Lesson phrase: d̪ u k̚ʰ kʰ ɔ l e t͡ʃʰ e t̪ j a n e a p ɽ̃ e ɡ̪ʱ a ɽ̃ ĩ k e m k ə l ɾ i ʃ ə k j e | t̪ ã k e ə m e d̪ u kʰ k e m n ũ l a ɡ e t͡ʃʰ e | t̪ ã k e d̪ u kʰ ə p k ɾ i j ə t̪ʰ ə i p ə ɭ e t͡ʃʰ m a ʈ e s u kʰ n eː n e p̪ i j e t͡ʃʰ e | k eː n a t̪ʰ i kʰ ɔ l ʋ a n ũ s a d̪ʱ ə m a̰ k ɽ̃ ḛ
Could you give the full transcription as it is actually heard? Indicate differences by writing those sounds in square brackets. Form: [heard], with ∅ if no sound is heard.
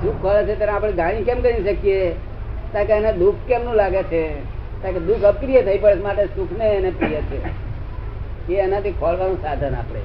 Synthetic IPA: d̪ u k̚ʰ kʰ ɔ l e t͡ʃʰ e t̪ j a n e a p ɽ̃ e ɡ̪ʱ a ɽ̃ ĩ k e m k ə [∅] ɾ i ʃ ə k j e | t̪ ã k e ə [n] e d̪ u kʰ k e m n ũ l a ɡ e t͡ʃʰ e | t̪ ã k e d̪ u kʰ ə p k ɾ i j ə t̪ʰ ə i p ə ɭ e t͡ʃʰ m a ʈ e s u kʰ n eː n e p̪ i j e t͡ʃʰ e | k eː n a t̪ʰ i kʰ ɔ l ʋ a n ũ s a d̪ʱ ə [n] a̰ [p] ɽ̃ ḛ